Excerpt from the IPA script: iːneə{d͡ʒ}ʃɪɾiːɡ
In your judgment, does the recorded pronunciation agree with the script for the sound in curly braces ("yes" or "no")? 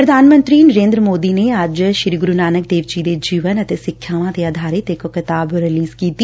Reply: yes